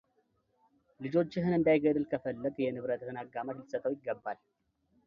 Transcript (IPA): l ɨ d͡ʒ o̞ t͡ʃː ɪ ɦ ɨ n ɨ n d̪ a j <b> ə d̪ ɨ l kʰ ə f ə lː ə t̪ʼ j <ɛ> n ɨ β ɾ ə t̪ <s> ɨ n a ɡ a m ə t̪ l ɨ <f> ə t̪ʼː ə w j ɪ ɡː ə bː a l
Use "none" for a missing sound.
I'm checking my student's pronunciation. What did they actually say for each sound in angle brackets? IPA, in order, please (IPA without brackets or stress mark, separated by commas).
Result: ɡ, ɛ, h, s